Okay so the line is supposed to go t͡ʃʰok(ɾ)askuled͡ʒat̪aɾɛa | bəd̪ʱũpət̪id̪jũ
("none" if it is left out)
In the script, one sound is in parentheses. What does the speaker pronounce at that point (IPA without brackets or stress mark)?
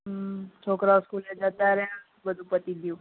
ɾ